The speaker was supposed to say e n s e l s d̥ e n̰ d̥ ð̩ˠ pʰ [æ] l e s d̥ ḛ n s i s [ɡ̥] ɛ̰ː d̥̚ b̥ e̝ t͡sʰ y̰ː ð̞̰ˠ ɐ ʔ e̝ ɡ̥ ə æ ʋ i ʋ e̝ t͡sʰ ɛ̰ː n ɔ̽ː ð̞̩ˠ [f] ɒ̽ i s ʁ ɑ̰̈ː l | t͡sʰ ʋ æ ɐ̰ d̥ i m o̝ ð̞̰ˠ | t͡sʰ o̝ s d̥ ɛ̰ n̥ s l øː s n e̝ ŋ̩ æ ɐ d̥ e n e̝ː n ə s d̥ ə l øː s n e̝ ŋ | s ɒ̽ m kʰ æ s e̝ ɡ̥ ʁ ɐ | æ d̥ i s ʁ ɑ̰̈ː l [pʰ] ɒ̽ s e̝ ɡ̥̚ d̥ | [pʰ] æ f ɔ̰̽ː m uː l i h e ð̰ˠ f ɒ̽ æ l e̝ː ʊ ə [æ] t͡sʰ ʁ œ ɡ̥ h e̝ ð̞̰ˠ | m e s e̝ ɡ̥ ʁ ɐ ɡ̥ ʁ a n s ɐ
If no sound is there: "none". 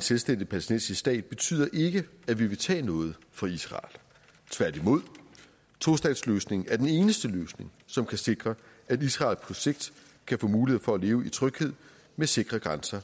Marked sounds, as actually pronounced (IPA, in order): æ, d̥, f, pʰ, kʰ, i

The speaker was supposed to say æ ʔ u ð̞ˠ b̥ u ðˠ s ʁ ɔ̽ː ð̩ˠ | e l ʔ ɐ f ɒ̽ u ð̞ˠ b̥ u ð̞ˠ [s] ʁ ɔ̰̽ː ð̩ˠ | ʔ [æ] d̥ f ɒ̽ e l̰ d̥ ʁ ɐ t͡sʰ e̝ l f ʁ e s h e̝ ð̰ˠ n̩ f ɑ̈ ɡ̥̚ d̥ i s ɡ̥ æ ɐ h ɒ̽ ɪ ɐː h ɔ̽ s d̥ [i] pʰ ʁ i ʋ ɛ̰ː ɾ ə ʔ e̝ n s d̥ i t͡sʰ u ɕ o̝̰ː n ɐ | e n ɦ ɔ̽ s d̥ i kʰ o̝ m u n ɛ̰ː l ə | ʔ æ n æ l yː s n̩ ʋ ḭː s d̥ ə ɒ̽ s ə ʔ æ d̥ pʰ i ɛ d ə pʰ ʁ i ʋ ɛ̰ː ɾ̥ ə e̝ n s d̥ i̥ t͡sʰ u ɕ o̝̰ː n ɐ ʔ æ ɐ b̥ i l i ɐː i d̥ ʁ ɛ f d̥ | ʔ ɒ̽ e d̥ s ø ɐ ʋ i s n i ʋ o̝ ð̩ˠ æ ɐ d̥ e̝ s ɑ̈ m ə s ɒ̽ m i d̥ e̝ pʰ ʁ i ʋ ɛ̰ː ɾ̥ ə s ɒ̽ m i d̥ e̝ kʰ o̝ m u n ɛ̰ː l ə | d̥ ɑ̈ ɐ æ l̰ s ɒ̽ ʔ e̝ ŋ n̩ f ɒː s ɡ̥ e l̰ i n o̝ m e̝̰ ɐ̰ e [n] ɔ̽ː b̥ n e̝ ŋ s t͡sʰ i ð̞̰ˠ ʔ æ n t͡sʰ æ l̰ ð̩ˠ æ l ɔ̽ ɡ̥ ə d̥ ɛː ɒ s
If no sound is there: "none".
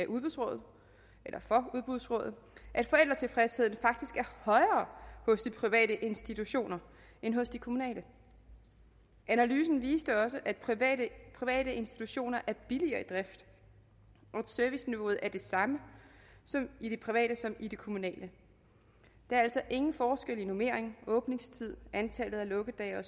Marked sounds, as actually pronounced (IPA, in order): s, æ, i, ŋ

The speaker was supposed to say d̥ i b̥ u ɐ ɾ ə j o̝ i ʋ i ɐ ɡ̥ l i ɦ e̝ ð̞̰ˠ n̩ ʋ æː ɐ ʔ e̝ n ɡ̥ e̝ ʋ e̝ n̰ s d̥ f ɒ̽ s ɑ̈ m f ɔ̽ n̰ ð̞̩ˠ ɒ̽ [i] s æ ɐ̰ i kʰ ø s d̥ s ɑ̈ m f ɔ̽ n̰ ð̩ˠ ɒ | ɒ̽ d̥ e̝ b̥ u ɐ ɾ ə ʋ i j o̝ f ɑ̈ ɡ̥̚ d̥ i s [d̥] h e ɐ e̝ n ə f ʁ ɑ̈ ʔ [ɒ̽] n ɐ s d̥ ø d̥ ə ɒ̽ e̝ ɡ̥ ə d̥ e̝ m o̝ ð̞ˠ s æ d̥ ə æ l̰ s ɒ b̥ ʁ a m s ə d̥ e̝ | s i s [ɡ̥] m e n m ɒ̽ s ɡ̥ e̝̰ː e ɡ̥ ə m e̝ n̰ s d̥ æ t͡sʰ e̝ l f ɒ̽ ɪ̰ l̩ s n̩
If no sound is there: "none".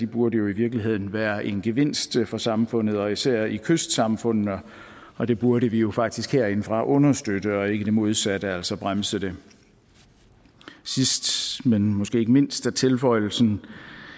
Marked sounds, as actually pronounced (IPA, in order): i, ɡ̥, ɔ̽, d̥

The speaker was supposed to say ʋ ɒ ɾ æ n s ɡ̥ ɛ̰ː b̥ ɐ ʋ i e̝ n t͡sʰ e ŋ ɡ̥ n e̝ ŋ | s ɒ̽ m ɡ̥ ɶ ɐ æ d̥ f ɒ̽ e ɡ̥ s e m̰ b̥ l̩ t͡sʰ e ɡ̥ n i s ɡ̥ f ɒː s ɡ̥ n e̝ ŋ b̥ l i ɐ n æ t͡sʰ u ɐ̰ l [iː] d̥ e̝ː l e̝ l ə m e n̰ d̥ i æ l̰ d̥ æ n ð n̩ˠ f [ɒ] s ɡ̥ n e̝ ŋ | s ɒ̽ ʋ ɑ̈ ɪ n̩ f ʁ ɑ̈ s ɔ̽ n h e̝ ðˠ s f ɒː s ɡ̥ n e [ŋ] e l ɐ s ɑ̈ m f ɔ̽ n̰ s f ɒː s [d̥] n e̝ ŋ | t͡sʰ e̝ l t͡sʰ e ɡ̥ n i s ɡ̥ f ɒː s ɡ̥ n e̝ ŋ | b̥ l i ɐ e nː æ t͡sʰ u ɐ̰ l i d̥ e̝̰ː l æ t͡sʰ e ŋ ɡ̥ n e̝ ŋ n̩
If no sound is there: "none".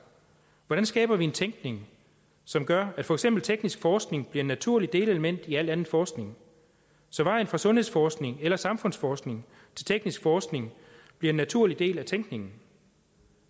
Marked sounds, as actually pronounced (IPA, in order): i, ɒː, ŋ, ɡ̥

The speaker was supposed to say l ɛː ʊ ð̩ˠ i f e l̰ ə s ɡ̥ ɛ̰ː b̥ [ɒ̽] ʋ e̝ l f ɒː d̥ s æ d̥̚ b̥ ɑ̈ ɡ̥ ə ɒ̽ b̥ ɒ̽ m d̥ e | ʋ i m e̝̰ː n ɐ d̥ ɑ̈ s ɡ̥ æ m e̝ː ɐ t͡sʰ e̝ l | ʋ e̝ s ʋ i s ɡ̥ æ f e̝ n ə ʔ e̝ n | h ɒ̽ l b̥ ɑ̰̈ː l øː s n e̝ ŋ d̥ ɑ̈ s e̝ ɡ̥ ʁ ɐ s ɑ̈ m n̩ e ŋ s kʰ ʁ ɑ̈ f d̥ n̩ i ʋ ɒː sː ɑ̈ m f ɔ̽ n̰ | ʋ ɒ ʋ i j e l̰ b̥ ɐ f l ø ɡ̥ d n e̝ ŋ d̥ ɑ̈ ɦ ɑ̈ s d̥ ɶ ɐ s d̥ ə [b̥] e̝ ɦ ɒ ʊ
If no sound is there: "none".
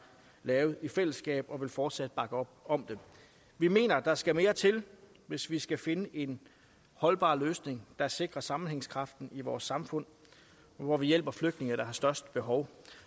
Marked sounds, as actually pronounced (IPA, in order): ɒ̽, b̥

